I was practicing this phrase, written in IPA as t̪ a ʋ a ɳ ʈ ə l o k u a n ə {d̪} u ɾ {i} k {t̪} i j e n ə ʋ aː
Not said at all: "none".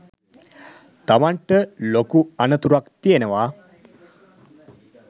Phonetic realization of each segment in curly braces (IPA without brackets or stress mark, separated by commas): t̪, a, t̪